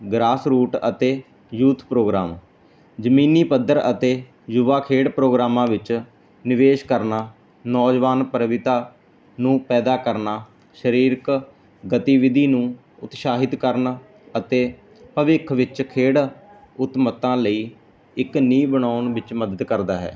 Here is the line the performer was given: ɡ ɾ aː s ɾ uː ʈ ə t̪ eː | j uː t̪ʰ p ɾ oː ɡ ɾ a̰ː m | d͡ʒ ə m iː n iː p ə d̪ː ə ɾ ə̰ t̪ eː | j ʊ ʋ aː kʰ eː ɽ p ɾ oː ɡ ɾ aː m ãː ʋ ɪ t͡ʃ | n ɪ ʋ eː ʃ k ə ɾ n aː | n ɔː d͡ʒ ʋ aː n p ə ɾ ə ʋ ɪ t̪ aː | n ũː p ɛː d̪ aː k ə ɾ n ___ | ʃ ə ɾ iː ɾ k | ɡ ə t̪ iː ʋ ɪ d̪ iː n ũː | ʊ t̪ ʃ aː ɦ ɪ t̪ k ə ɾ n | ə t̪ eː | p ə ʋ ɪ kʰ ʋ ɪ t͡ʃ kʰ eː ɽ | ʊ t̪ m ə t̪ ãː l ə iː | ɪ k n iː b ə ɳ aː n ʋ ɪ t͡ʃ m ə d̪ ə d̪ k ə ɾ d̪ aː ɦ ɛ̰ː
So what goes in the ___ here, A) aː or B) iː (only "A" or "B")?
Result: A